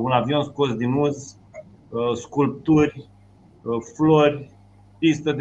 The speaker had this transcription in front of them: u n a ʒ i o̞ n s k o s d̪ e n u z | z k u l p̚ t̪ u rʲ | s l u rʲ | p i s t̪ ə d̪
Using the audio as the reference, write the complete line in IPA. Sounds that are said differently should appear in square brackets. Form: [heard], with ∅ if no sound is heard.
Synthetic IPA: u n a [v] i o̞ n s k o s d̪ [i] n u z | [s] k u l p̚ t̪ u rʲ | [f] l [o] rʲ | p i s t̪ ə d̪